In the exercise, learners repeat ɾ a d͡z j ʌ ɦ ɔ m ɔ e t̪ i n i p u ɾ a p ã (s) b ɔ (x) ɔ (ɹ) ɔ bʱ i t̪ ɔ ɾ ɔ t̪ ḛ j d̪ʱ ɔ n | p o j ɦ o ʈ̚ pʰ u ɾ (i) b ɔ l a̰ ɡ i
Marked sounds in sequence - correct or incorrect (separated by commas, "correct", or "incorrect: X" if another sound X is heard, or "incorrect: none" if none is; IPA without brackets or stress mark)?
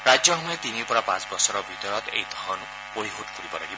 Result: incorrect: t͡s, incorrect: s, incorrect: ɾ, correct